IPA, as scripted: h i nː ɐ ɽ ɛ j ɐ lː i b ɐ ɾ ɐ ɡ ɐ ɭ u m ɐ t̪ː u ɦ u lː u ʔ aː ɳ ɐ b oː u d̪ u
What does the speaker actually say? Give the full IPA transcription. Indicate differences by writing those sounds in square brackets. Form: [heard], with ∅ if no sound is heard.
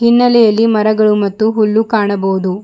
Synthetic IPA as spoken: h i nː ɐ [l] ɛ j ɐ lː i [m] ɐ ɾ ɐ ɡ ɐ ɭ u m ɐ t̪ː u ɦ u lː u [k] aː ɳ ɐ b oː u d̪ u